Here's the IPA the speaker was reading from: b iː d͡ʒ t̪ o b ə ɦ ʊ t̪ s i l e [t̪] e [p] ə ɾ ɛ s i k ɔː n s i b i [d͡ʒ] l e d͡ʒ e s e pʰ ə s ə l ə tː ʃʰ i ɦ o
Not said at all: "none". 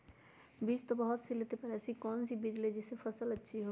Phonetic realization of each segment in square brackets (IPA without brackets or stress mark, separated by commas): t̪, p, d͡ʒ